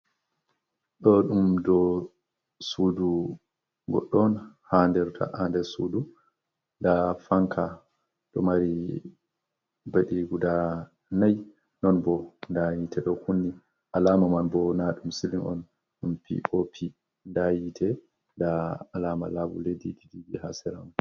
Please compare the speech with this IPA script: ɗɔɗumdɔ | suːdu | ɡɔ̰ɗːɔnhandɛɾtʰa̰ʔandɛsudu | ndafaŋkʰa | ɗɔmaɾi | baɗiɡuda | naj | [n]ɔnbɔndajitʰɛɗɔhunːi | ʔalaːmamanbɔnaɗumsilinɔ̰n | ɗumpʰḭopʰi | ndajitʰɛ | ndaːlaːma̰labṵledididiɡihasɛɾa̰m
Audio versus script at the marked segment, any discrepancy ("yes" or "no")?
no